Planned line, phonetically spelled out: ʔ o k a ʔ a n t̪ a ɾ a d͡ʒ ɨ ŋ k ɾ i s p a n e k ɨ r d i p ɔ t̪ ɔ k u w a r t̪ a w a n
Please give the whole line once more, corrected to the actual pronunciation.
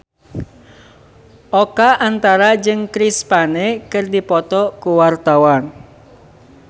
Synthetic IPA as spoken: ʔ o k a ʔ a n t̪ a ɾ a d͡ʒ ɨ ŋ k ɾ i s p a n e k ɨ r d i p ɔ t̪ ɔ k u w a r t̪ a w a n